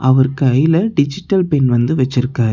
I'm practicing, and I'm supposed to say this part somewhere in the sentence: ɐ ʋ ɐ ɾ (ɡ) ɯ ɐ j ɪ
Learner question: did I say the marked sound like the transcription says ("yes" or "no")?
no